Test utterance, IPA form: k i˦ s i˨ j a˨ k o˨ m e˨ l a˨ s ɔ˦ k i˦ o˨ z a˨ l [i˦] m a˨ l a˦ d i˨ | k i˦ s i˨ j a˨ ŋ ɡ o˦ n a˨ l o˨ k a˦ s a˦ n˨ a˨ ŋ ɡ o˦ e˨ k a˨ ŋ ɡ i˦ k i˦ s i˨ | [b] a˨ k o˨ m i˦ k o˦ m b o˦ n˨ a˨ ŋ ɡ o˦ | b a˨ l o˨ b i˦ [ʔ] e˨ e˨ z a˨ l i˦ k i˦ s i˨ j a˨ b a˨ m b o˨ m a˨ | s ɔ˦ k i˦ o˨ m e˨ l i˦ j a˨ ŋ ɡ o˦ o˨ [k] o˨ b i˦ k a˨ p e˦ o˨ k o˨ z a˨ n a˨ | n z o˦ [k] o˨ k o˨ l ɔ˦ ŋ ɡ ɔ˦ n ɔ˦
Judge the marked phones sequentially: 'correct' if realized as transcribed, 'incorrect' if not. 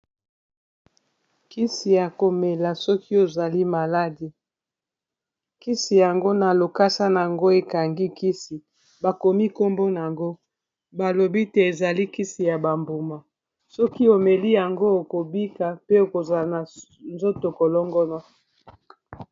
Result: correct, correct, incorrect, correct, incorrect

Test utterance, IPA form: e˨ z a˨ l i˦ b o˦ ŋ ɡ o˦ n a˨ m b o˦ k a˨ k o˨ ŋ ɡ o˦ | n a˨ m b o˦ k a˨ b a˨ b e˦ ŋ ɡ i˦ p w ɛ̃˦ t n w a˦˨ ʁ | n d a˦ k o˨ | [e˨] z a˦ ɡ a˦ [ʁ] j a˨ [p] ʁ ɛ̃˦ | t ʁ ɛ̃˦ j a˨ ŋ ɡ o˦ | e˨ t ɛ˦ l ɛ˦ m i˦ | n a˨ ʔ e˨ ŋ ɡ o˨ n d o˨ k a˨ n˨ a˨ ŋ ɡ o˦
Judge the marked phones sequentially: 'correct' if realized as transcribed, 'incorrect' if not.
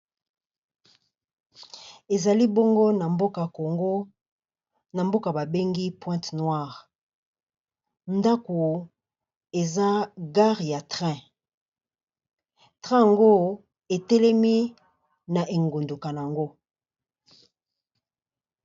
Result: correct, correct, incorrect

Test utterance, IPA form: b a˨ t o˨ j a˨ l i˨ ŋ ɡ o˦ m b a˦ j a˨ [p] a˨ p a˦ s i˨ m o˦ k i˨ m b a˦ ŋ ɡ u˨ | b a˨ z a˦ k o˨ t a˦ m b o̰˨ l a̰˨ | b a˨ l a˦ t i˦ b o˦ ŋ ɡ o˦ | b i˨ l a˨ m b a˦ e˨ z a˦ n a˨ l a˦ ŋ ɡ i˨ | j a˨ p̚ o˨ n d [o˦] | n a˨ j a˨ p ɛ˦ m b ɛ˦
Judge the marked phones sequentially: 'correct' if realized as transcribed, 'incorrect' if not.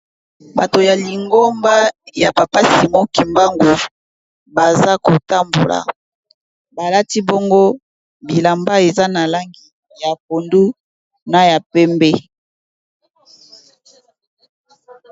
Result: correct, incorrect

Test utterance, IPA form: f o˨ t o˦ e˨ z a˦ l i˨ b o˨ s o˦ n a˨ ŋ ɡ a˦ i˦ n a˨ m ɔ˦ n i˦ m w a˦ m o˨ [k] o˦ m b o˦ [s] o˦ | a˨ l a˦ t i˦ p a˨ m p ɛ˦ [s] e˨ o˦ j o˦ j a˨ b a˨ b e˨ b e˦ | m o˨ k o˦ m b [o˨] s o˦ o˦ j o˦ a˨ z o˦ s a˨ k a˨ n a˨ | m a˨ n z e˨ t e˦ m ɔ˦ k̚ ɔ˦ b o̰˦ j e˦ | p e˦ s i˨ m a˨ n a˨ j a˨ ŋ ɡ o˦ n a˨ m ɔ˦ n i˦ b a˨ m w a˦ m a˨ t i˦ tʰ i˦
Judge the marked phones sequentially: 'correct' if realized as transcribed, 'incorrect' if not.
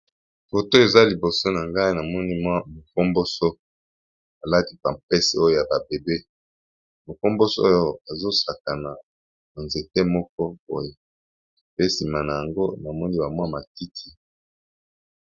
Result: correct, correct, correct, incorrect

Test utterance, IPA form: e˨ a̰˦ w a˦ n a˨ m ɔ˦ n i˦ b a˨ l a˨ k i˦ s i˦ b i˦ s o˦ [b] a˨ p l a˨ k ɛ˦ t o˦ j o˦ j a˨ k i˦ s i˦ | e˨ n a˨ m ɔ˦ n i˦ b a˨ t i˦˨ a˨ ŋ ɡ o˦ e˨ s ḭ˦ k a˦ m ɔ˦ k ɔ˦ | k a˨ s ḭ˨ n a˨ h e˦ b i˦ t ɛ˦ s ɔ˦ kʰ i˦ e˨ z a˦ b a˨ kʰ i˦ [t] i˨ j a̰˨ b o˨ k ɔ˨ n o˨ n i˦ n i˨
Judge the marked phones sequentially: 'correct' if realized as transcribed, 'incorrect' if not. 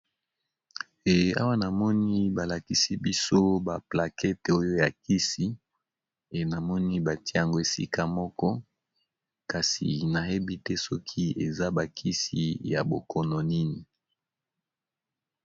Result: correct, incorrect

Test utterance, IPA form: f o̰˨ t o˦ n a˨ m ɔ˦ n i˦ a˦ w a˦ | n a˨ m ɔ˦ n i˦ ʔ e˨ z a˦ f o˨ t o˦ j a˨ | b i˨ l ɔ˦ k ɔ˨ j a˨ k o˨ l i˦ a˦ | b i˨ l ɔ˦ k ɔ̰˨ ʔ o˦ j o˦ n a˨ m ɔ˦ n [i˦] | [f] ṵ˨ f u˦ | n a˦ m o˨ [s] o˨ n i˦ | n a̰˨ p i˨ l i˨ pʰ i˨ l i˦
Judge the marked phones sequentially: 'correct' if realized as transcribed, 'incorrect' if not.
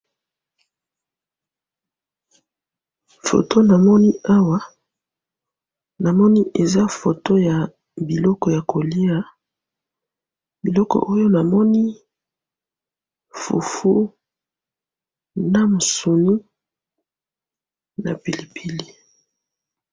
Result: correct, correct, correct

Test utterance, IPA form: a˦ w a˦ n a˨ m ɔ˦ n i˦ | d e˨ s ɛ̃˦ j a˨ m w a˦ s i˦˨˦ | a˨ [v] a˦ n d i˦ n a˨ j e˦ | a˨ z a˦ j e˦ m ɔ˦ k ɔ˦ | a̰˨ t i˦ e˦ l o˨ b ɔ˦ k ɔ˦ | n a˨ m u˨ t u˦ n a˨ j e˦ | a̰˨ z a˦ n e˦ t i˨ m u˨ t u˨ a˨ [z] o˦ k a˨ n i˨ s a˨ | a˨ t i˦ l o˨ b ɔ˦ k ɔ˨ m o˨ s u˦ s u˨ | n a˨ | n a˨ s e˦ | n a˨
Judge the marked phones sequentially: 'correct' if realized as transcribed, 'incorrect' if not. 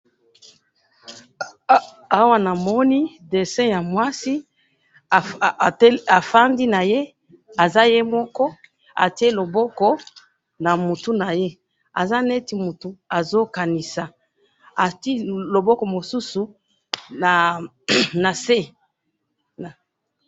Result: incorrect, correct

